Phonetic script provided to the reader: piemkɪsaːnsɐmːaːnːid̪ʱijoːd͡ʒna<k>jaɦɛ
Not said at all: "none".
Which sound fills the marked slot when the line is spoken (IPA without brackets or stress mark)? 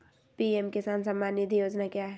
k